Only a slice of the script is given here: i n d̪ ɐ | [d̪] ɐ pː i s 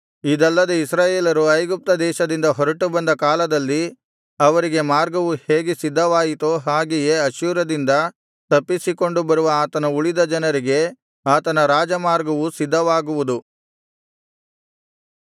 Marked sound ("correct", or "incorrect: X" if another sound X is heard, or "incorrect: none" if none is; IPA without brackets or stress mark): incorrect: t̪